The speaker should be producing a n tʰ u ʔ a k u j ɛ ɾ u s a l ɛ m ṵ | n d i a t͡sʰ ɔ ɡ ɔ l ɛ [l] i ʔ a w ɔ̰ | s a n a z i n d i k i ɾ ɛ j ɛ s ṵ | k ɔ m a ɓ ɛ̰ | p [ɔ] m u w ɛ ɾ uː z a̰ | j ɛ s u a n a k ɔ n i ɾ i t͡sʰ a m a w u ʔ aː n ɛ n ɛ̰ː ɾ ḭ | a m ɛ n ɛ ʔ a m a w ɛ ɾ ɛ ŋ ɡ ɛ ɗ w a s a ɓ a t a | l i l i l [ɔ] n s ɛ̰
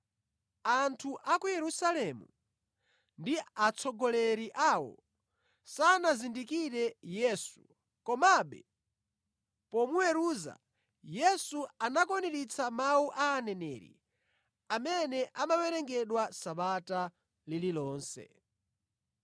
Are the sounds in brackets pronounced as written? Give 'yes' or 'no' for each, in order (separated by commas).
no, yes, no